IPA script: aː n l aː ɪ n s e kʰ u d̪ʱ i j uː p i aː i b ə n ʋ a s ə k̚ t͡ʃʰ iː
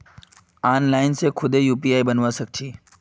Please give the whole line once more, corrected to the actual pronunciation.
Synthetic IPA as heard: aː n l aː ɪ n s e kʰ ʊ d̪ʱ e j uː p i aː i b ə n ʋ a s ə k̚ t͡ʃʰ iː